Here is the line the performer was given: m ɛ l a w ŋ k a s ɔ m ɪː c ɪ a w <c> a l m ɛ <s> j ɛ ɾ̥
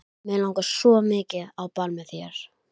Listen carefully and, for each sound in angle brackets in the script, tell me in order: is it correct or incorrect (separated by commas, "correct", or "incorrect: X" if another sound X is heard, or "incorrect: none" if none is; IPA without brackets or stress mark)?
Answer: incorrect: p, incorrect: θ